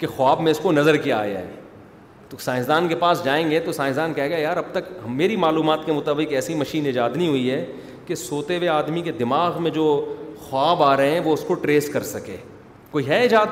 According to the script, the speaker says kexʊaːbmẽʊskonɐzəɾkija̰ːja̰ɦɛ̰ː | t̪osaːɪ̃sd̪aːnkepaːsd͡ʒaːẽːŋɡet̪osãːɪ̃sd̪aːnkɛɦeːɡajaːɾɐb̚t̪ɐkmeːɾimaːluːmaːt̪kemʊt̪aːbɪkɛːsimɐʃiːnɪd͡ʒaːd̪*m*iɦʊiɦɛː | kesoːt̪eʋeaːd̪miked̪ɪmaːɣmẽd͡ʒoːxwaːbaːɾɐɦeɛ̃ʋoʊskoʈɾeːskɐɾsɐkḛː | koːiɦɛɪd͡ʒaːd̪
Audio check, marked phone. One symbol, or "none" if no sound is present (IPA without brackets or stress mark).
n